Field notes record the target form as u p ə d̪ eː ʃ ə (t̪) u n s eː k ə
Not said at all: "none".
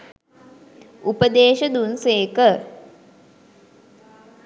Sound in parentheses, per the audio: d̪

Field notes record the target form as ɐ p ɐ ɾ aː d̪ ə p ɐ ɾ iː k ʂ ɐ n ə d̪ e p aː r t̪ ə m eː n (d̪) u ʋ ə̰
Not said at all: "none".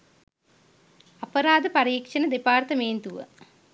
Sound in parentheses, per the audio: t̪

